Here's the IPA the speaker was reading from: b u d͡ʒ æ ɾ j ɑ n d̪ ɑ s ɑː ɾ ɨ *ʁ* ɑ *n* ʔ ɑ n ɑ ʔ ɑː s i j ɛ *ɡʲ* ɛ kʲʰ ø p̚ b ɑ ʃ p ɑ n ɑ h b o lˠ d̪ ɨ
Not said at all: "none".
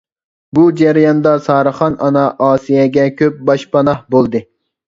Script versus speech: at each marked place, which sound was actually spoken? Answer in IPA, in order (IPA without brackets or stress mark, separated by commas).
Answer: χ, n, ɡʲ